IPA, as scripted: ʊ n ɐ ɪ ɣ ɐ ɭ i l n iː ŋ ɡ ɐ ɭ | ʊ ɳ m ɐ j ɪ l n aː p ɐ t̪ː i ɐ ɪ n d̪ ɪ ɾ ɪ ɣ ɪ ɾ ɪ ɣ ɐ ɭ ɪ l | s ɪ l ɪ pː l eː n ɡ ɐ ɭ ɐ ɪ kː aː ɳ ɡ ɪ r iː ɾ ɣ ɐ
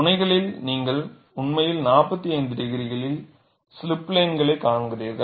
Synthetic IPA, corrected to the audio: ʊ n ɐ ɪ ɣ ɐ ɭ ɪ l n iː ŋ ɡ ɐ ɭ | ʊ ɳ m ɐ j ɪ l n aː p ɐ t̪ː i ɐ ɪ n d̪ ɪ ɾ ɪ ɣ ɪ ɾ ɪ ɣ ɐ ɭ ɪ l | s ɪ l ɪ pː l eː n ɡ ɐ ɭ ɐ ɪ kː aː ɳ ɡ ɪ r iː ɾ ɣ ɐ